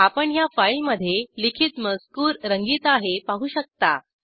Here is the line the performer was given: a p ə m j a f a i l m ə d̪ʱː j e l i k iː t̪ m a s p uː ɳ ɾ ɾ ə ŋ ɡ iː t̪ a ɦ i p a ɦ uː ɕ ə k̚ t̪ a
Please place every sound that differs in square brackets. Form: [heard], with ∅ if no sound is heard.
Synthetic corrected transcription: a p ə [ɳ] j a f a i l m ə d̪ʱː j e l i [kʰ] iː t̪ m [ə] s [k] uː [∅] ɾ ɾ ə ŋ ɡ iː t̪ a ɦ [e] p a ɦ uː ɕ ə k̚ t̪ a